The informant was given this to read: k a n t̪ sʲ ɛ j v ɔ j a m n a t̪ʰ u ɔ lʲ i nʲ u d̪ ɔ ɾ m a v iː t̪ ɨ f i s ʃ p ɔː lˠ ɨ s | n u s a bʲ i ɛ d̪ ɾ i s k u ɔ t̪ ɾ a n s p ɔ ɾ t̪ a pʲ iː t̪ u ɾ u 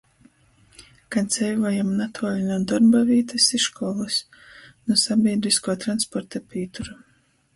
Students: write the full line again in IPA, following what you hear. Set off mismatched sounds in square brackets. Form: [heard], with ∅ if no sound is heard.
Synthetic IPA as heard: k a n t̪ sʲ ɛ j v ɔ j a m n a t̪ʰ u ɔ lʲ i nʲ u d̪ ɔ ɾ [b] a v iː t̪ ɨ [s] i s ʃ [k] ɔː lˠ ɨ s | n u s a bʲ i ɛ d̪ ɾ i s k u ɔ t̪ ɾ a n s p ɔ ɾ t̪ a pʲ iː t̪ u ɾ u